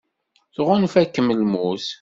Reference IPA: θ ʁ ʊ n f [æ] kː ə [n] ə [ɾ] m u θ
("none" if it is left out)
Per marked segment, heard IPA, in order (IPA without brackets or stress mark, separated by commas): æ, m, l